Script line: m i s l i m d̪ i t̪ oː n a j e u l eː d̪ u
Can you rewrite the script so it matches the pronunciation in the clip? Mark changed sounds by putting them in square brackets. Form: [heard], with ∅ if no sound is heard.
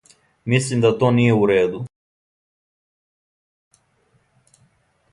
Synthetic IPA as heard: m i s l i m d̪ [a] t̪ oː n [i] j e u [ɾ] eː d̪ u